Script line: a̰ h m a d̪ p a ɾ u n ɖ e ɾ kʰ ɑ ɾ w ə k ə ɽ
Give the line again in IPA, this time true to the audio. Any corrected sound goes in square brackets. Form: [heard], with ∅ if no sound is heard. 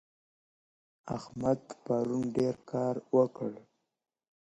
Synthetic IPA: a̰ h m a d̪ p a ɾ u n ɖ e ɾ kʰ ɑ ɾ w ə k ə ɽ

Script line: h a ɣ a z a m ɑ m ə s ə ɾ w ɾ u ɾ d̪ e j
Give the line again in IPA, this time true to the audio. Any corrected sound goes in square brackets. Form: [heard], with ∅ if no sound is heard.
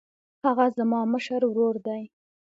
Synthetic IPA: h a ɣ a z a m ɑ m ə [ʃ] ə ɾ w ɾ [o] ɾ d̪ [a] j

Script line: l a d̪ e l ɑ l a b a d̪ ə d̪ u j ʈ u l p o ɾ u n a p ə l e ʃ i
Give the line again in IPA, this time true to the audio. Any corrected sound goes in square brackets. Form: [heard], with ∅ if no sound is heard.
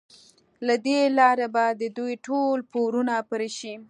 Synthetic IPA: l a d̪ e l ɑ [ɾ] a b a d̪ ə d̪ u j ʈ [o] l p o ɾ u n a p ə [ɾ] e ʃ i

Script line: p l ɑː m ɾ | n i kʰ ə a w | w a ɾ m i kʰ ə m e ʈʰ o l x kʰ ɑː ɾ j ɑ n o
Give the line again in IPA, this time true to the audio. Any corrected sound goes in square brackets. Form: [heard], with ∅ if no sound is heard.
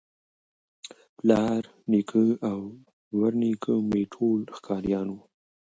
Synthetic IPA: p l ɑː [∅] ɾ | n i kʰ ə a w | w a ɾ [n] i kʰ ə m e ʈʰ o l x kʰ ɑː ɾ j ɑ n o

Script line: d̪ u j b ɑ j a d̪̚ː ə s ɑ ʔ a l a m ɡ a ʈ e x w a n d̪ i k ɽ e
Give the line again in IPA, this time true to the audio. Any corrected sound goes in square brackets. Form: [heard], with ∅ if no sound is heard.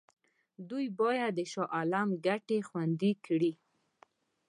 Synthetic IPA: d̪ u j b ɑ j a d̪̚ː ə [ʃ] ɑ ʔ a l a m ɡ a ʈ e x w a n d̪ i k ɽ [i]

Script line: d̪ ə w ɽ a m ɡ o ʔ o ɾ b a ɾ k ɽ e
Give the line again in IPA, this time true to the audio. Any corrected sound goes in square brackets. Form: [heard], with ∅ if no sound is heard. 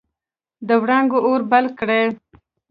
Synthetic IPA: d̪ ə w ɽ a [ŋ] ɡ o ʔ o ɾ b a [l] k ɽ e

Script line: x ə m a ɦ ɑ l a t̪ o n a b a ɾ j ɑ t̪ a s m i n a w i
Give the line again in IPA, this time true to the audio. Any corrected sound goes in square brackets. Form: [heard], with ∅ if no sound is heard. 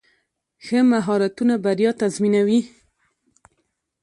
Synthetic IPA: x ə m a ɦ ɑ [ɾ] a t̪ [u] n a b a ɾ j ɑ t̪ a [z] m i n a w i

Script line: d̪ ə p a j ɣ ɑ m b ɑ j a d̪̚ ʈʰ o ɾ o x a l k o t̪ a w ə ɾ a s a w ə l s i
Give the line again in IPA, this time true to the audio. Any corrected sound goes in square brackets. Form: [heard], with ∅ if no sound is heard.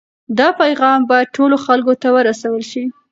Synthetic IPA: d̪ [ɑ] p a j ɣ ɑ m b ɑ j a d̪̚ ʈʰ o [l] o x a l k o t̪ a w ə ɾ a s a w ə l [ʃ] i

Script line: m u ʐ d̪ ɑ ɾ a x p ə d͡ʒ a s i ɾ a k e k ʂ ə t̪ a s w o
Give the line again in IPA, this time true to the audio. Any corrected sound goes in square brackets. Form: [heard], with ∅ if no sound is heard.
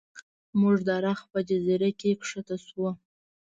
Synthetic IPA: m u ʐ d̪ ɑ ɾ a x p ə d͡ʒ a [z] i ɾ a k e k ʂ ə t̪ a s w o

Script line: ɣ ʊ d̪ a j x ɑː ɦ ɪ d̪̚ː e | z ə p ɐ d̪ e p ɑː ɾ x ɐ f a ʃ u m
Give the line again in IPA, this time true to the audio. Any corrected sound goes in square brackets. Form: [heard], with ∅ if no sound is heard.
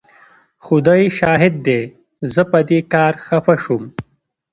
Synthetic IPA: [x] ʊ d̪ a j [ʃ] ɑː ɦ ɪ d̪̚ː e | z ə p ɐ d̪ e [k] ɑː ɾ x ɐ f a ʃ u m

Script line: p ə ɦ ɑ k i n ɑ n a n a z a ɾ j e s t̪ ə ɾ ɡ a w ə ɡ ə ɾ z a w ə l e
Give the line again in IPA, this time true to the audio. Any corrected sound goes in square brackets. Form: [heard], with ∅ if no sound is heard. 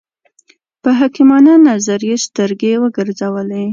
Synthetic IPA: p ə ɦ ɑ k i [m] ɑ n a n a z a ɾ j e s t̪ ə ɾ ɡ [e] w ə ɡ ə ɾ z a w ə l e

